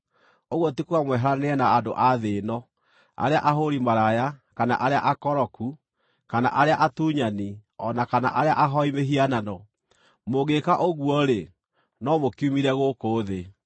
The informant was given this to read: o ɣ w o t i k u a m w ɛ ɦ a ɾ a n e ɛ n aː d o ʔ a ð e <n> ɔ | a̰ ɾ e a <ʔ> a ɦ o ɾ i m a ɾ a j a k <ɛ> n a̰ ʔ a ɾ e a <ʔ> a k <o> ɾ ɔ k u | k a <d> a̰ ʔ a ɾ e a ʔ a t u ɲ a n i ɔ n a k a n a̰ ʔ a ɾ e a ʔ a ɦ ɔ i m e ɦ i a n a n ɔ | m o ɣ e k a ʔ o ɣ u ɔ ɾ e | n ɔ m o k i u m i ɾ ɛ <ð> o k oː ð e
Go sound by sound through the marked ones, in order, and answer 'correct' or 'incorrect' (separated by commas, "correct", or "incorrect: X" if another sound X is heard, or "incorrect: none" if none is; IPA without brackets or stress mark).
correct, correct, incorrect: a, correct, incorrect: ɔ, incorrect: n, incorrect: ɣ